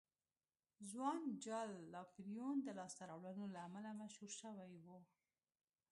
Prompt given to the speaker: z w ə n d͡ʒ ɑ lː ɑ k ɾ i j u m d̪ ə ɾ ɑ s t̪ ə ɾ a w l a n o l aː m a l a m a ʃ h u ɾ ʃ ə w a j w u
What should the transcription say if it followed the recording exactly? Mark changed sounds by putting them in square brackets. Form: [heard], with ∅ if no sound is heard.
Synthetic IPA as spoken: z w [ɑ] n d͡ʒ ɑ lː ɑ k ɾ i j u [n] d̪ ə [l] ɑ s t̪ [a] ɾ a w l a n o l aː m a l a m a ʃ h u ɾ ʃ ə w a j w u